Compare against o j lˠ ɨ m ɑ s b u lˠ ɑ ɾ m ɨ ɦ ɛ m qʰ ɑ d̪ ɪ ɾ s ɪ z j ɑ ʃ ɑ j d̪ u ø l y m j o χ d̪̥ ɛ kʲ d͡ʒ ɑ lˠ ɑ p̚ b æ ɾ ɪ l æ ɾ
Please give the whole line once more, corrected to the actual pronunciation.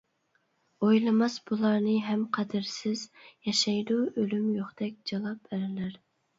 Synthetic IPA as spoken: o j lˠ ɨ m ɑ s b u lˠ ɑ ɾ n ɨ ɦ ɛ m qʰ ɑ d̪ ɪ ɾ s ɪ z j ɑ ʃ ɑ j d̪ u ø l y m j o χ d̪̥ ɛ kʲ d͡ʒ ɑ lˠ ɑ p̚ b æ ɾ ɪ l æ ɾ